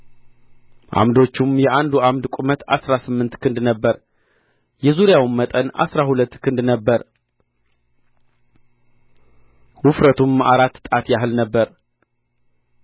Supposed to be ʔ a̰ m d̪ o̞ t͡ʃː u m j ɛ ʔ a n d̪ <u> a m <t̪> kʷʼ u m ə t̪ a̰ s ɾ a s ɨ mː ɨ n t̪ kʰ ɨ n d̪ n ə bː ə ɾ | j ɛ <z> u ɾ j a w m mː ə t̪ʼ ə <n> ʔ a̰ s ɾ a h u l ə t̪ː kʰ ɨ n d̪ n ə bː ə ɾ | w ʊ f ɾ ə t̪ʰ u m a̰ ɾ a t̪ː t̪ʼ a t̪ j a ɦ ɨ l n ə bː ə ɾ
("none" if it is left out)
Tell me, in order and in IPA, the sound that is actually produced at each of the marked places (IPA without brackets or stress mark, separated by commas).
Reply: u, d̪, z, n